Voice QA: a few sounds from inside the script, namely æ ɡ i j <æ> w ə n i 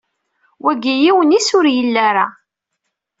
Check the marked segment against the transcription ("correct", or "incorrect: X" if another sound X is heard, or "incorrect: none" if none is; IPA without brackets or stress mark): incorrect: i